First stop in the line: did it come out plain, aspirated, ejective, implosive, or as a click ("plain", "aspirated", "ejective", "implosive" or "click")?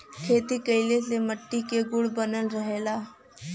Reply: aspirated